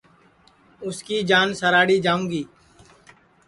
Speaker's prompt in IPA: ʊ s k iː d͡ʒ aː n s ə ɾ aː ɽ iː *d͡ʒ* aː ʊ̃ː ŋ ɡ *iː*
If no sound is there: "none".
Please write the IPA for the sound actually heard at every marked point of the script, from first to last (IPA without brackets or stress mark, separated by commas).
d͡ʒ, iː